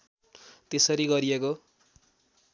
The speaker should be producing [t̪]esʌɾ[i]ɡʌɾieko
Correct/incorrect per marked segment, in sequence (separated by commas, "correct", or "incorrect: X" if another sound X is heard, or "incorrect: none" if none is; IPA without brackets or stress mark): correct, correct